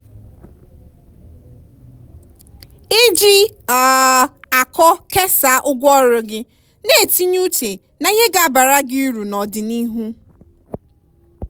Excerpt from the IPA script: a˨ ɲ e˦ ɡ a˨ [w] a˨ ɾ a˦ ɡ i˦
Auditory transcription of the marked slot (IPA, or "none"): b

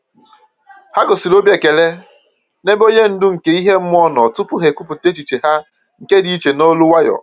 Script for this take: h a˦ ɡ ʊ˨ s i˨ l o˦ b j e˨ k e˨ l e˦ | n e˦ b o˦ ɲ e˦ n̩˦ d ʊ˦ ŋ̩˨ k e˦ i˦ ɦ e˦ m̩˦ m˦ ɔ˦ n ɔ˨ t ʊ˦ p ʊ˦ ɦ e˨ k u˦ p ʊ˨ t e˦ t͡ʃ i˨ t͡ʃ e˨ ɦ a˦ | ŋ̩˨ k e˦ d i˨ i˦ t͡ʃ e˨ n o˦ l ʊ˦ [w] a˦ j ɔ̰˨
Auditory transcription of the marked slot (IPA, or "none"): w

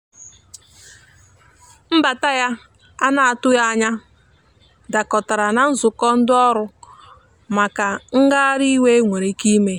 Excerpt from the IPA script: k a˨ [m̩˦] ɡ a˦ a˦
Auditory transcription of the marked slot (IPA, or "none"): ŋ̩˦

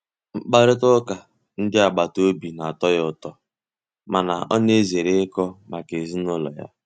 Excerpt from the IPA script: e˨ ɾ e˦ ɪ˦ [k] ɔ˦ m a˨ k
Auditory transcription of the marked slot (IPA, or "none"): k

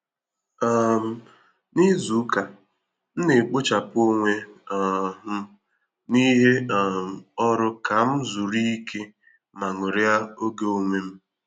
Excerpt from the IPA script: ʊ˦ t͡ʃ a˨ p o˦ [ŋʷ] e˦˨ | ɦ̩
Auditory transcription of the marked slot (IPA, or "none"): ŋʷ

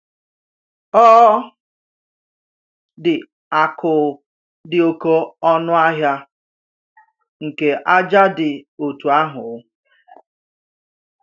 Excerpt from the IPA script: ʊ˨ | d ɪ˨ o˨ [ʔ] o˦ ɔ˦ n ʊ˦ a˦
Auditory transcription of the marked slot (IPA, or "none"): k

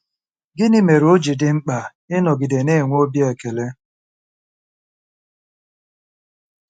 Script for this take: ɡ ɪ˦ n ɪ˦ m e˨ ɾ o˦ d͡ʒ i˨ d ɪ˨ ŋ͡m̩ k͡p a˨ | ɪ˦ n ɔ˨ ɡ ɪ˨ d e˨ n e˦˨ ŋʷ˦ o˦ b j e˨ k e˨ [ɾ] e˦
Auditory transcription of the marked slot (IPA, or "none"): l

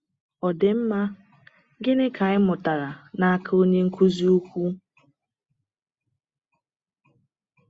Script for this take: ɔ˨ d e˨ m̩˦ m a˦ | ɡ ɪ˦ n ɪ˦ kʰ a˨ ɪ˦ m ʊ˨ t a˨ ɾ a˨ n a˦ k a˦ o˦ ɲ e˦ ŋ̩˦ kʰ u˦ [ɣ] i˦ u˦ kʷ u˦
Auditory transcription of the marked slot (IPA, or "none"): z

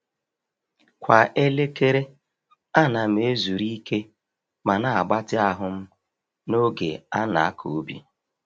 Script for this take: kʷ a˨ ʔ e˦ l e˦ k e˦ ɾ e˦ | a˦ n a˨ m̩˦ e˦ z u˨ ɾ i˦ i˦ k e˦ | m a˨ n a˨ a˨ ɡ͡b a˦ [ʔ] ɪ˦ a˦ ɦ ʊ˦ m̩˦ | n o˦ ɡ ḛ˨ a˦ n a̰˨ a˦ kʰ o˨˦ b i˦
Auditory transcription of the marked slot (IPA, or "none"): t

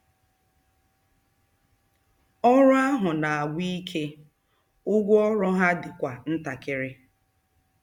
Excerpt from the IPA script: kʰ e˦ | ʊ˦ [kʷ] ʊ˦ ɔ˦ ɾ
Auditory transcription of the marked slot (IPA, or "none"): ɡʷ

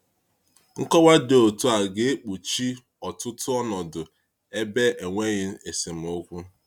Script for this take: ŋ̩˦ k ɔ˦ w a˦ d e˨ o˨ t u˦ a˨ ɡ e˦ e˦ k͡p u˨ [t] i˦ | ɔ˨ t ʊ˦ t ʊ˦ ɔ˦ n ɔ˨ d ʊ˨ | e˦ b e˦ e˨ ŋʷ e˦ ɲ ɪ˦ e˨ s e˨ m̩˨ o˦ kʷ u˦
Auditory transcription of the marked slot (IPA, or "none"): t͡ʃ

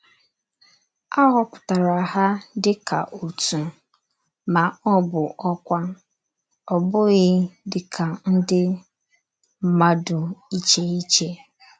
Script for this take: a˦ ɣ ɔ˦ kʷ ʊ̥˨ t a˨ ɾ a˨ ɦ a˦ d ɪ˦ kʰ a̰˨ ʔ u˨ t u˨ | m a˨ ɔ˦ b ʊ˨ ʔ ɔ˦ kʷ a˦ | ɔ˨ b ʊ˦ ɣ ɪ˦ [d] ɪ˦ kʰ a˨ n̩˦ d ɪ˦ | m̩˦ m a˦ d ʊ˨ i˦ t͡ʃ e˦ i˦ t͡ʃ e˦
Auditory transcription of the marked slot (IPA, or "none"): d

